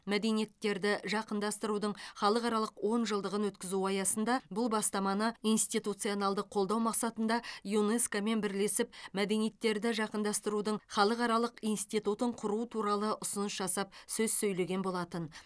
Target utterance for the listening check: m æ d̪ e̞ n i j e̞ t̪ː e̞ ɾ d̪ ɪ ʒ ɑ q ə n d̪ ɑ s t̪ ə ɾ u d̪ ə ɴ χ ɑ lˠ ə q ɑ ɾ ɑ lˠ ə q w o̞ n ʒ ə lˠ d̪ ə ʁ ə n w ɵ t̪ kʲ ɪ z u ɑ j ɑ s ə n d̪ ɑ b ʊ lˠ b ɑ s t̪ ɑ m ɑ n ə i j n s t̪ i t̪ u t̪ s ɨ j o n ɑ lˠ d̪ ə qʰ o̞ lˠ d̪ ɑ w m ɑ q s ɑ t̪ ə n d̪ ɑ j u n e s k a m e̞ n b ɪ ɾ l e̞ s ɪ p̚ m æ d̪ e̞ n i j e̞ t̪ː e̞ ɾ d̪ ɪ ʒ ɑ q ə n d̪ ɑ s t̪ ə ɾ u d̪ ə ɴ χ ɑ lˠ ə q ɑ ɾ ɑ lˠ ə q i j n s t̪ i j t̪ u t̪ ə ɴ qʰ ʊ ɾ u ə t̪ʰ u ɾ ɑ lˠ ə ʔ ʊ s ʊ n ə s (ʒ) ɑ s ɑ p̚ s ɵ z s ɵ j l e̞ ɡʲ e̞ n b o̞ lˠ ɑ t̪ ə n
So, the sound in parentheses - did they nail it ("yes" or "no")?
yes